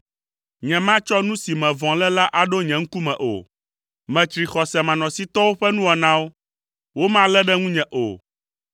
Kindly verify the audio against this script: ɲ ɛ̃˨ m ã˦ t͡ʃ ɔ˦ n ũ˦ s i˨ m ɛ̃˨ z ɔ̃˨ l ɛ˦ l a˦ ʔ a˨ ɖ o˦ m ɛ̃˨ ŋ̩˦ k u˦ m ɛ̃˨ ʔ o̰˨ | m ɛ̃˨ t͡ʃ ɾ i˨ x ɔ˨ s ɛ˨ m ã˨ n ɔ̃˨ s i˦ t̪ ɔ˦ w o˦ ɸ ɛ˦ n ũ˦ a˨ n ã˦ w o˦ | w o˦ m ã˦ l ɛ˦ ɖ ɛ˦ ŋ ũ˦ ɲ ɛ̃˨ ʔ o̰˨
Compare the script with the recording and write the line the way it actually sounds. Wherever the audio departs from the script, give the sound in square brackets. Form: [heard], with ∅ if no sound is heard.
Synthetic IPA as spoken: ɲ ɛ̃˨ m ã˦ t͡ʃ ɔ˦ n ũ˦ s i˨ m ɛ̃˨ [v] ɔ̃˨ l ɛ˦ l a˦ ʔ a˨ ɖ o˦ [ɲ] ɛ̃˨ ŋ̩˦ k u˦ m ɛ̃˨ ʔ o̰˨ | m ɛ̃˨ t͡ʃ ɾ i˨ x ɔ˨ s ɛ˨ m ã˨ n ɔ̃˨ s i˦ t̪ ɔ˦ w o˦ ɸ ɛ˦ n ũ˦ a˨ n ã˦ w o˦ | w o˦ m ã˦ l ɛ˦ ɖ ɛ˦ ŋ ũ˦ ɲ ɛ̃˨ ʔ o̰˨